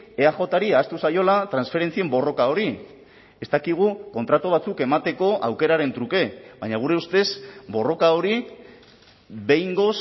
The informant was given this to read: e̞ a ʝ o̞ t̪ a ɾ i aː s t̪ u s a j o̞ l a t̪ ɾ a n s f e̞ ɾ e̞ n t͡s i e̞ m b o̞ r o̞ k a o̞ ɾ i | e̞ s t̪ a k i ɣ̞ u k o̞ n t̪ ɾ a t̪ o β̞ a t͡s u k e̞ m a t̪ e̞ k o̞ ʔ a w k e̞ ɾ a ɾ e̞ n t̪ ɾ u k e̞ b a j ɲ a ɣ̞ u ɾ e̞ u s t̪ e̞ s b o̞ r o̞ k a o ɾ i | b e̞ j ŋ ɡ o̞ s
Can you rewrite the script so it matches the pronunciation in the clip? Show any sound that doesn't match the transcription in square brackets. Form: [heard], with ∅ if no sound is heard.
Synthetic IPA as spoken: e̞ a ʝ o̞ t̪ a ɾ i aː s t̪ u s a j o̞ l a t̪ ɾ a n s f e̞ ɾ e̞ n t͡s i e̞ m b o̞ r o̞ k a o̞ ɾ i | e̞ s t̪ a k i ɣ̞ u k o̞ n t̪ ɾ a t̪ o β̞ a t͡s u k e̞ m a t̪ e̞ k o̞ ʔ a w k e̞ ɾ a ɾ e̞ n t̪ ɾ u k e̞ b a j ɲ a ɣ̞ u ɾ e̞ u s t̪ e̞ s b o̞ r o̞ k a o ɾ i | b e̞ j ŋ ɡ o̞ s

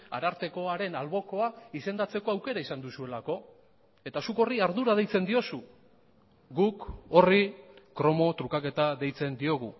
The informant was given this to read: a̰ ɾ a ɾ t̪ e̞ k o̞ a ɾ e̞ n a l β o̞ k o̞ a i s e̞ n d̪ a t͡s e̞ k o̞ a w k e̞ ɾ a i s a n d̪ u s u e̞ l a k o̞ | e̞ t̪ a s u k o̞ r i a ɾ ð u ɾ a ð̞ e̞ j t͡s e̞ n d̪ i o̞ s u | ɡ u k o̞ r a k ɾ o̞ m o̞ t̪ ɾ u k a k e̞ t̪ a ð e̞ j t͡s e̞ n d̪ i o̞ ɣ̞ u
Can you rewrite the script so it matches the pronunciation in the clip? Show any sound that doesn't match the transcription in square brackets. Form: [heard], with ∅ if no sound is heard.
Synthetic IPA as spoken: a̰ ɾ a ɾ t̪ e̞ k o̞ a ɾ e̞ n a l β o̞ k o̞ a i s e̞ n d̪ a t͡s e̞ k o̞ a w k e̞ ɾ a i s a n d̪ u s u e̞ l a k o̞ | e̞ t̪ a s u k o̞ r i a ɾ ð u ɾ a ð̞ e̞ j t͡s e̞ n d̪ i o̞ s u | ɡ u k o̞ r [i] k ɾ o̞ m o̞ t̪ ɾ u k a k e̞ t̪ a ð e̞ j t͡s e̞ n d̪ i o̞ ɣ̞ u

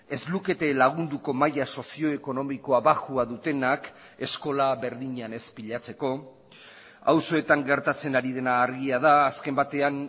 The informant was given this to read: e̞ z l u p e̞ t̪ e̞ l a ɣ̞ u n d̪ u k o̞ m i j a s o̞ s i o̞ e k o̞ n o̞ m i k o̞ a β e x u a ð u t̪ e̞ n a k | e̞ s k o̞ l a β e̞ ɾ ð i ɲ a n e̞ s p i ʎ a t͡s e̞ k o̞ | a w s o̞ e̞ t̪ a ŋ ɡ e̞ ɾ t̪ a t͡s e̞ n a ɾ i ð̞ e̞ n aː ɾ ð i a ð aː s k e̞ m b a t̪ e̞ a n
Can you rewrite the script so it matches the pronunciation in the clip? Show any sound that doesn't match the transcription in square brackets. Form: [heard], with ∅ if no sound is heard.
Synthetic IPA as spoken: e̞ z l u [k] e̞ t̪ e̞ l a ɣ̞ u n d̪ u k o̞ m [a] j a s o̞ s i o̞ e k o̞ n o̞ m i k o̞ a β [a] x u a ð u t̪ e̞ n a k | e̞ s k o̞ l a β e̞ ɾ ð i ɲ a n e̞ s p i ʎ a t͡s e̞ k o̞ | a w s o̞ e̞ t̪ a ŋ ɡ e̞ ɾ t̪ a t͡s e̞ n a ɾ i ð̞ e̞ n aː ɾ [ɣ] i a ð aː s k e̞ m b a t̪ e̞ a n

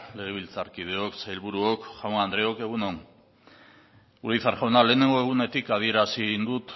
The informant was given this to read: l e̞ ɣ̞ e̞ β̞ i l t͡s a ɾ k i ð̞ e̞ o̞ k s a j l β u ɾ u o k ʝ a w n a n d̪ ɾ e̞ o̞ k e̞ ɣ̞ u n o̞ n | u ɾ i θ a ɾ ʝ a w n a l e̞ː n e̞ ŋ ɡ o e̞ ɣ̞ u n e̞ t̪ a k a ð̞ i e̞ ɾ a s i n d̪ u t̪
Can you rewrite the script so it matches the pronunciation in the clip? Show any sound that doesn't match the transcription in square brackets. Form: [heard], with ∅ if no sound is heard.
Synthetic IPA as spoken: l e̞ ɣ̞ e̞ β̞ i l t͡s a ɾ k i ð̞ e̞ o̞ k s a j l β u ɾ u o k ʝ a w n a n d̪ ɾ e̞ o̞ k e̞ ɣ̞ u n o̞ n | u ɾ i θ a ɾ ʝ a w n a l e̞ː n e̞ ŋ ɡ o e̞ ɣ̞ u n e̞ t̪ [i] k a ð̞ i e̞ ɾ a s i n d̪ u t̪

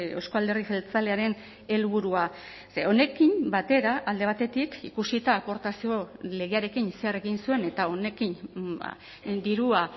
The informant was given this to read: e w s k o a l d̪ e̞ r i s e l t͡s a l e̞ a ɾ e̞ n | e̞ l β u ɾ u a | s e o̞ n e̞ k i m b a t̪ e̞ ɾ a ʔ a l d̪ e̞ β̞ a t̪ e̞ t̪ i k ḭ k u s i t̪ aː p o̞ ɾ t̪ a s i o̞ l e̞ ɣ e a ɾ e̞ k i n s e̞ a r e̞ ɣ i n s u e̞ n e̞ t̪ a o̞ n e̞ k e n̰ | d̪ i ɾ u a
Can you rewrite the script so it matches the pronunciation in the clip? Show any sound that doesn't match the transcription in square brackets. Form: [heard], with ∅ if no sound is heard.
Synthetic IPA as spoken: e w s k o a l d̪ e̞ r i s e l t͡s a l e̞ a ɾ e̞ n | e̞ l β u ɾ u a | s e o̞ n e̞ k i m b a t̪ e̞ ɾ a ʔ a l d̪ e̞ β̞ a t̪ e̞ t̪ i k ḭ k u s i t̪ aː p o̞ ɾ t̪ a s i o̞ l e̞ ɣ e a ɾ e̞ k i n s e̞ a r e̞ ɣ i n s u e̞ n e̞ t̪ a o̞ n e̞ k [i] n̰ | d̪ i ɾ u a

